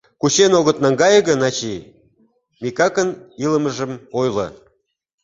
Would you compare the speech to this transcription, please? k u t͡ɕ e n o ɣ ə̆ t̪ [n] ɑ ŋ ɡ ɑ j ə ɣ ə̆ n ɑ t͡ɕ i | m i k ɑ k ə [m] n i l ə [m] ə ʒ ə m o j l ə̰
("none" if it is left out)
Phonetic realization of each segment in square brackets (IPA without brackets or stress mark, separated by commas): n, none, m